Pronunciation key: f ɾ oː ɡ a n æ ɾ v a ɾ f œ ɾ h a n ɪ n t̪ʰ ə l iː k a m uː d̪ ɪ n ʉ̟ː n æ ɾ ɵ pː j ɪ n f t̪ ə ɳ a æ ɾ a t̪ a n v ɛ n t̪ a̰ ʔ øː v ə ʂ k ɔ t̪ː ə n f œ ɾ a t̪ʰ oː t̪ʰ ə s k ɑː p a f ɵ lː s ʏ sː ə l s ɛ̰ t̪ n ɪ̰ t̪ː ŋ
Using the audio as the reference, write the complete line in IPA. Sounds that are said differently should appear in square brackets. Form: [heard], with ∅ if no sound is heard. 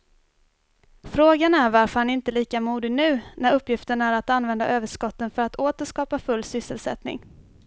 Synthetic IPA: f ɾ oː ɡ a n æ ɾ v a ɾ f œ ɾ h a n ɪ n [t̪] ə l iː k a m uː d̪ ɪ n ʉ̟ː n æ ɾ ɵ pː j ɪ [∅] f t̪ ə ɳ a æ ɾ a t̪ a n v ɛ n [d̪] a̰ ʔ øː v ə ʂ k ɔ t̪ː ə n f œ ɾ a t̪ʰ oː [t̪] ə [ʂ] k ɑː p a f ɵ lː s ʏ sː ə l s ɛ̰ t̪ n ɪ̰ [∅] ŋ

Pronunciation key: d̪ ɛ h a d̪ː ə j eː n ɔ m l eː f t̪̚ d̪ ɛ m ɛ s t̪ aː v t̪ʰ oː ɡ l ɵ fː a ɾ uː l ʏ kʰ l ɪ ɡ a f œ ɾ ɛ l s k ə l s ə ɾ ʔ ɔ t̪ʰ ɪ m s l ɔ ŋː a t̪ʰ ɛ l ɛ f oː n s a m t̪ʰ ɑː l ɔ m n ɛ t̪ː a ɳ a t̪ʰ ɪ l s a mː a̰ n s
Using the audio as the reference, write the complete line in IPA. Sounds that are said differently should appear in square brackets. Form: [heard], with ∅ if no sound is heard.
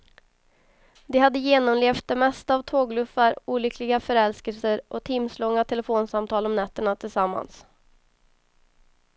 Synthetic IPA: d̪ ɛ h a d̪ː ə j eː n ɔ m l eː f t̪̚ d̪ ɛ m ɛ s t̪ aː v t̪ʰ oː ɡ l ɵ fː a ɾ uː l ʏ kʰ l ɪ ɡ a f œ ɾ ɛ l s k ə l s ə ɾ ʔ ɔ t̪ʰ ɪ m s l ɔ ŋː a t̪ʰ ɛ l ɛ f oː n s a m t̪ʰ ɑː l ɔ m n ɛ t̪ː [ə] ɳ a t̪ʰ ɪ l s a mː a̰ n s

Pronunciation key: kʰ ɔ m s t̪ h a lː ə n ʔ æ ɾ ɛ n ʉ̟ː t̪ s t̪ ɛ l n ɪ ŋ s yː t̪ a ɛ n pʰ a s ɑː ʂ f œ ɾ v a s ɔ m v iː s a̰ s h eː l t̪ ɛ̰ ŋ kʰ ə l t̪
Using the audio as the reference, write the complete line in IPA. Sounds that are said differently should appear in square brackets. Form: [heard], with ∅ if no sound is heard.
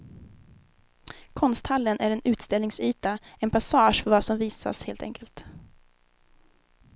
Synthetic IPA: kʰ ɔ [n] s t̪ h a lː ə n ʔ æ ɾ ɛ n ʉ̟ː t̪ s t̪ ɛ l n ɪ ŋ s yː t̪ a ɛ n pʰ a s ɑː ʂ f œ ɾ v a s ɔ m v iː s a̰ s h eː l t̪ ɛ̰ ŋ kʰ ə l t̪

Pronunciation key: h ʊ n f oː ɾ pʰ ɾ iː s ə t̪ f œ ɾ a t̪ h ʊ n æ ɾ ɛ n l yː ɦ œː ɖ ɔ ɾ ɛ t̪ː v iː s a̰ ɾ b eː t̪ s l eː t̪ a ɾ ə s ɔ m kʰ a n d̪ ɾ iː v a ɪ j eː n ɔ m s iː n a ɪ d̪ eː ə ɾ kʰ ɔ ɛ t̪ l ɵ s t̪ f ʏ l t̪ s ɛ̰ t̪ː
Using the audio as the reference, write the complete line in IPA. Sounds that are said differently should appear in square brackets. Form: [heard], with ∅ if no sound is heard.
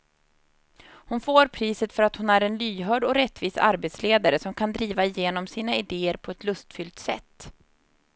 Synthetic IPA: h ʊ n f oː ɾ pʰ ɾ iː s ə t̪ f œ ɾ a t̪ h ʊ n æ ɾ ɛ n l yː ɦ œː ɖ ɔ ɾ ɛ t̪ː v iː s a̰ ɾ b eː t̪ s l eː [d̪] a ɾ ə s ɔ m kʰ a n d̪ ɾ iː v a ɪ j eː n ɔ m s iː n a ɪ d̪ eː ə ɾ [pʰ] ɔ ɛ t̪ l ɵ s t̪ f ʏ l t̪ s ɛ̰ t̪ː

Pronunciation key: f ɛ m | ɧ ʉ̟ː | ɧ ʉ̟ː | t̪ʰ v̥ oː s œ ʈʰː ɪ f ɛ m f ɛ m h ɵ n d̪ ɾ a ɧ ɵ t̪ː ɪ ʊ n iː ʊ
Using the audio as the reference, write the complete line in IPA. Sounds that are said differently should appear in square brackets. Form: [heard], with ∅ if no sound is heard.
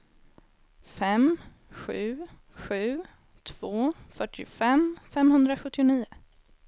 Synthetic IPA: f ɛ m | ɧ ʉ̟ː | ɧ ʉ̟ː | t̪ʰ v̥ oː [f] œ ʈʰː ɪ f ɛ m f ɛ m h ɵ n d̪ ɾ a ɧ ɵ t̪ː ɪ ʊ n iː ʊ

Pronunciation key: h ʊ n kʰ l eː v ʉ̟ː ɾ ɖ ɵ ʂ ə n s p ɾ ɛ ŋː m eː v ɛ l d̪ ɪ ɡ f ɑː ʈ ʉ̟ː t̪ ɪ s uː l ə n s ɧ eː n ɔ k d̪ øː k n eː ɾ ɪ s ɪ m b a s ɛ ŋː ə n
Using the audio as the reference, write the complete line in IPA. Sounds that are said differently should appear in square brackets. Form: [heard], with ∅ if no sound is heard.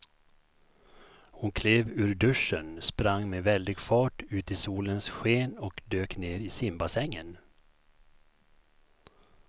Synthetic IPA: h ʊ n kʰ l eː v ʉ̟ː ɾ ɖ ɵ ʂ ə n s p ɾ [a] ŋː m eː v ɛ l d̪ ɪ ɡ f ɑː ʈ ʉ̟ː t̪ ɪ s uː l ə n s ɧ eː n ɔ k d̪ øː k n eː ɾ ɪ s ɪ m b a s ɛ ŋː ə n

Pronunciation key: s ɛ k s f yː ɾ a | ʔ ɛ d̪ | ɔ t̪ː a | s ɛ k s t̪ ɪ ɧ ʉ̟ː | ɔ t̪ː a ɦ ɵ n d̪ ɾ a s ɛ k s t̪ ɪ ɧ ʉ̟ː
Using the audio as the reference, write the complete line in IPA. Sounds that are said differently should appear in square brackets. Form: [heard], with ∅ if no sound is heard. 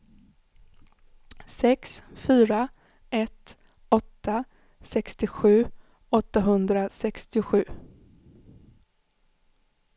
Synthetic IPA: s ɛ k s f yː ɾ a | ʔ ɛ [t̪] | ɔ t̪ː a | s ɛ k s t̪ ɪ ɧ ʉ̟ː | ɔ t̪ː a ɦ ɵ n d̪ ɾ a s ɛ k s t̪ ɪ ɧ ʉ̟ː

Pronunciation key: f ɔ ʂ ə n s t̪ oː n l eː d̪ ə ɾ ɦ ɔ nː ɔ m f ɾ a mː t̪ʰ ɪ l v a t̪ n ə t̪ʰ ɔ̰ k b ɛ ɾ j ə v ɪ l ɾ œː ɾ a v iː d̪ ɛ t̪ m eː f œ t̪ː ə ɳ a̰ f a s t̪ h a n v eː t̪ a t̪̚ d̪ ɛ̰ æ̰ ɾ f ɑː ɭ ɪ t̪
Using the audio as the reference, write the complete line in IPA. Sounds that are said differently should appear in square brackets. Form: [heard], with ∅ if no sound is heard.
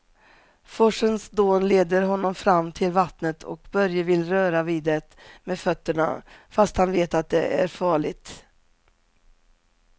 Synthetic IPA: f ɔ ʂ ə n s [d̪] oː n l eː d̪ ə ɾ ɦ ɔ nː ɔ m f ɾ a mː t̪ʰ ɪ l v a t̪ n ə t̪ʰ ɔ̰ k b [œ] ɾ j ə v ɪ l ɾ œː ɾ a v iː d̪ ɛ t̪ m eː f œ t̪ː ə ɳ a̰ f a s t̪ h a n v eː t̪ a t̪̚ d̪ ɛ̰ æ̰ ɾ f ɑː ɭ ɪ t̪

